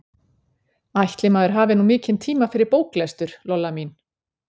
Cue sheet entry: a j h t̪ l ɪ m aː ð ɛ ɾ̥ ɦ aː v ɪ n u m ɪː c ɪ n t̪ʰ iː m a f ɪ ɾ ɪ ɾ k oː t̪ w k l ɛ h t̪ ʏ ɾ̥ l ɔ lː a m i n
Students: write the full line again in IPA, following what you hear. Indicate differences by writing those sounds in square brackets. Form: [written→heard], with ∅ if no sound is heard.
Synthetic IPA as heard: a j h t̪ l ɪ m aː ð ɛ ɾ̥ ɦ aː v ɪ n u m ɪː c ɪ n t̪ʰ iː m a f ɪ ɾ ɪ ɾ [k→p] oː [t̪→∅] w k l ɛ [h→s] t̪ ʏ ɾ̥ l ɔ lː a m i n